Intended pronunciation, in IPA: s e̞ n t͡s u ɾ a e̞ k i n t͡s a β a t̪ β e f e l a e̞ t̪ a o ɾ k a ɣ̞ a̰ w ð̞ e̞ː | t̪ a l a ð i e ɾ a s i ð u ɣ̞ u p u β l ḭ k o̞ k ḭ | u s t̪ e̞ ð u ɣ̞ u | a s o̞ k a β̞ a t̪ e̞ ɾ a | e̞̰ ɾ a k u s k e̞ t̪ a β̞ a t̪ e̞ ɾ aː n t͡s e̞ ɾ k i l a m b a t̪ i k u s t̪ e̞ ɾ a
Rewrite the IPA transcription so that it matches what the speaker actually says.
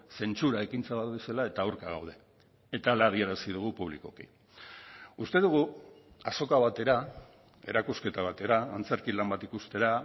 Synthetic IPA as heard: s e̞ n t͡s u ɾ a e̞ k i n t͡s a β a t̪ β e s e l a e̞ t̪ a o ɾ k a ɣ̞ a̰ w ð̞ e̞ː | t̪ a l a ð i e ɾ a s i ð u ɣ̞ u p u β l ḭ k o̞ k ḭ | u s t̪ e̞ ð u ɣ̞ u | a s o̞ k a β̞ a t̪ e̞ ɾ a | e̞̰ ɾ a k u s k e̞ t̪ a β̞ a t̪ e̞ ɾ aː n t͡s e̞ ɾ k i l a m b a t̪ i k u s t̪ e̞ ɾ a